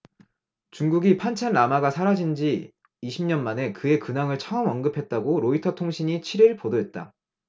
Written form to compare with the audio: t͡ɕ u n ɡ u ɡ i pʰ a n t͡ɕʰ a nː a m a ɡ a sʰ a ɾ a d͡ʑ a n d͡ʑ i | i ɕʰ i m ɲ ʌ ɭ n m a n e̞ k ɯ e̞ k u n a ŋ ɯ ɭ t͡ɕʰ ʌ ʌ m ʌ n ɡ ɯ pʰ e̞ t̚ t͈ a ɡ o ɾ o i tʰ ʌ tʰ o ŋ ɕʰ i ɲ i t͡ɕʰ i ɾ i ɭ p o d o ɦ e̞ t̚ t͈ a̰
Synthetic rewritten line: t͡ɕ u ŋ ɡ u ɡ i pʰ a n t͡ɕʰ a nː a m a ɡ a sʰ a ɾ a d͡ʑ i n d͡ʑ i | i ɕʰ i m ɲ ʌ n m a n e̞ k ɯ e̞ k ɯ n a ŋ ɯ ɭ t͡ɕʰ ʌ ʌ m ʌ n ɡ ɯ pʰ e̞ t̚ t͈ a ɡ o ɾ o i tʰ ʌ tʰ o ŋ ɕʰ i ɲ i t͡ɕʰ i ɾ i ɭ p o d o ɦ e̞ t̚ t͈ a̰